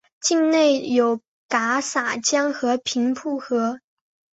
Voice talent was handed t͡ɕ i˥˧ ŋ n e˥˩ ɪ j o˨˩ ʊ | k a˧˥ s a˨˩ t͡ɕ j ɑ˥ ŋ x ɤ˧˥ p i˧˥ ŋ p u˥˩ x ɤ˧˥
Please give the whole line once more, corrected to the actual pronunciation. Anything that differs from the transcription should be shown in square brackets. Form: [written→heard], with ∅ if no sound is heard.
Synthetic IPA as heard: t͡ɕ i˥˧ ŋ n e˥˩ ɪ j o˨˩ ʊ | k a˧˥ s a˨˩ t͡ɕ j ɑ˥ ŋ x ɤ˧˥ [p→pʰ] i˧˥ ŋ [p→pʰ] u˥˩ x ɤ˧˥